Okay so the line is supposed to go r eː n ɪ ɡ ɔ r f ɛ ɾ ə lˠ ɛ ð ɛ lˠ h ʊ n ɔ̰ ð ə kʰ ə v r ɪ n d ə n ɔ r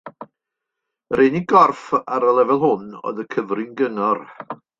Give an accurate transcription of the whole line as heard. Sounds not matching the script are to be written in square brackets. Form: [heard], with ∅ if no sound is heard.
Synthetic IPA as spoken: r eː n [i] ɡ ɔ r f [a] ɾ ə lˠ ɛ [v] ɛ lˠ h ʊ n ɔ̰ ð ə kʰ ə v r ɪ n [ɡ] ə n ɔ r